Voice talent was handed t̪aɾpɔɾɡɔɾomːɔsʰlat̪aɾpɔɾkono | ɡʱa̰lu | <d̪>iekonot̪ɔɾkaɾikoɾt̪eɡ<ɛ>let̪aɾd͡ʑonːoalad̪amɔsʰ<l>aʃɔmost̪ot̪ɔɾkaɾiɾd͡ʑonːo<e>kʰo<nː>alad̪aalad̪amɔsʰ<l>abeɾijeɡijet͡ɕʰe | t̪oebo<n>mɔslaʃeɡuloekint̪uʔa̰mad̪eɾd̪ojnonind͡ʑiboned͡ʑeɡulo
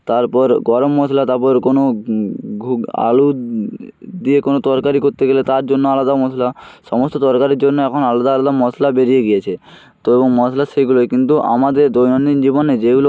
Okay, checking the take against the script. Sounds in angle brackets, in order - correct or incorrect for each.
correct, incorrect, correct, incorrect, incorrect, correct, incorrect

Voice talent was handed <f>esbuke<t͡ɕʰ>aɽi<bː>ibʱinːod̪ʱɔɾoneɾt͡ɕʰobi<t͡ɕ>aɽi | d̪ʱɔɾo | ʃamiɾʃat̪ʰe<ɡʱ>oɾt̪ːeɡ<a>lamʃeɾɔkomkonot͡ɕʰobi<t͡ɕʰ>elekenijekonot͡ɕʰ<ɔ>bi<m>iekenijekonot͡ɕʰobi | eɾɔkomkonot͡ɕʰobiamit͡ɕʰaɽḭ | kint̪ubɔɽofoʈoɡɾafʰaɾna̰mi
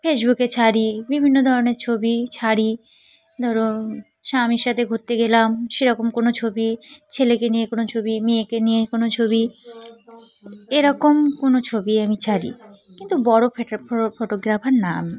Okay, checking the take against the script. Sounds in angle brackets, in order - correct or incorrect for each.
correct, correct, incorrect, incorrect, correct, incorrect, correct, incorrect, correct

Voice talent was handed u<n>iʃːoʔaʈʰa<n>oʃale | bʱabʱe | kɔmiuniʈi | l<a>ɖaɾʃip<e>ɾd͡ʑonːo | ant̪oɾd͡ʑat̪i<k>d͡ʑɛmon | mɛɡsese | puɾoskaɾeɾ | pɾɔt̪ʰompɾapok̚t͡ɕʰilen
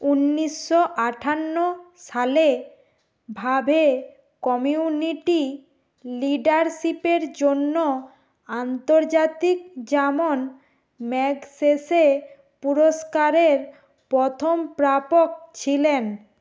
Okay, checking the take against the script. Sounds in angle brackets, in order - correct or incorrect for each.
incorrect, incorrect, incorrect, correct, correct

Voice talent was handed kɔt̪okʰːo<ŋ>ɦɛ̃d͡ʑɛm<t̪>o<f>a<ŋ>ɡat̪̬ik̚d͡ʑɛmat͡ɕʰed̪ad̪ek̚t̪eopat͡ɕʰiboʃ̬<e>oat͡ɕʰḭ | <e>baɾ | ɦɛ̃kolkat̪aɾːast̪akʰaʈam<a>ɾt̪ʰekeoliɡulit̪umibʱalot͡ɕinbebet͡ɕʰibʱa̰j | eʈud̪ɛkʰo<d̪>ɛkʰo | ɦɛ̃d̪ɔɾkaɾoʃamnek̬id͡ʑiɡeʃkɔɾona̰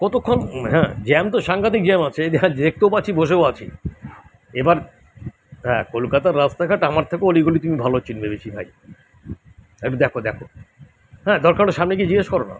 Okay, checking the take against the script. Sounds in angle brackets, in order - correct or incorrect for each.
incorrect, correct, incorrect, correct, correct, correct, correct, correct

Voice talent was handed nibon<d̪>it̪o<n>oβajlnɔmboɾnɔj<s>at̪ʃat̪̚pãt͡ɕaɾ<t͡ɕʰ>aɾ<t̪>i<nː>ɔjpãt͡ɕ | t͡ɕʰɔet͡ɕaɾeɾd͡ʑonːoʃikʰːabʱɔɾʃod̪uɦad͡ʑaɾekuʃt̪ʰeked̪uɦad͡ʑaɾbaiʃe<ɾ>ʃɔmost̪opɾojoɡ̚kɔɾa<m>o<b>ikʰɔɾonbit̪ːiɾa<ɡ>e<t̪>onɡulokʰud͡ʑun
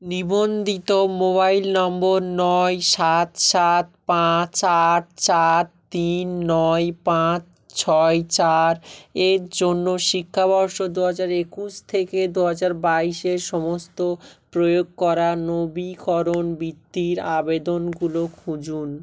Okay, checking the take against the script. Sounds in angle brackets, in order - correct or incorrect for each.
correct, incorrect, incorrect, incorrect, correct, correct, correct, incorrect, correct, incorrect, incorrect

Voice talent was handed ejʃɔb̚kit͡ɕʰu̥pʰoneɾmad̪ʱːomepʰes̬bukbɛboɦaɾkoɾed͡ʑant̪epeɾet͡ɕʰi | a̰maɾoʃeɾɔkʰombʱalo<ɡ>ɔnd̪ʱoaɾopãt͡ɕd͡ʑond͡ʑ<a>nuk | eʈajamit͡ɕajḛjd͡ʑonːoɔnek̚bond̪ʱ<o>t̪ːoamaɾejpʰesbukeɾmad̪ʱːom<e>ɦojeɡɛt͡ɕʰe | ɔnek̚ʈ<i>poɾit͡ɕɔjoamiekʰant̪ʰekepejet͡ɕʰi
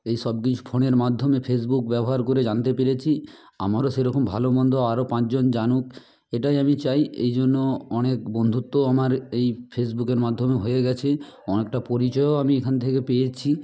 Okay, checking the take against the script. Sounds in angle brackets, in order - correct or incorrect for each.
incorrect, correct, incorrect, correct, incorrect

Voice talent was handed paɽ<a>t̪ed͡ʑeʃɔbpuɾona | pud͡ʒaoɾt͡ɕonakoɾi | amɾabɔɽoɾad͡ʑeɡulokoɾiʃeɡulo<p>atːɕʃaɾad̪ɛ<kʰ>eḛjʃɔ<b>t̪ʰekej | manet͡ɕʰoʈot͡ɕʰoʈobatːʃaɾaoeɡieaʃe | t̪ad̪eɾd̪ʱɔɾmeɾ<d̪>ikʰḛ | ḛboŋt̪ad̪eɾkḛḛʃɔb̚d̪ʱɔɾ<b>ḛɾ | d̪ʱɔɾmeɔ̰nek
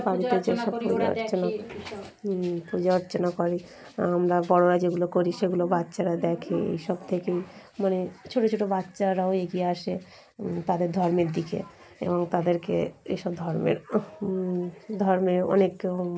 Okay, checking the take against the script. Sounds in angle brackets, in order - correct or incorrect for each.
incorrect, incorrect, correct, correct, correct, incorrect

